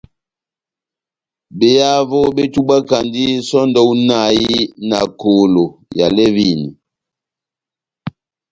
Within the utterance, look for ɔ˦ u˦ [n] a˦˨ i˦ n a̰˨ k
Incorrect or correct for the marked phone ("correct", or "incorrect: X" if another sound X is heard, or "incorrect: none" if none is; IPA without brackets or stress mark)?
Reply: correct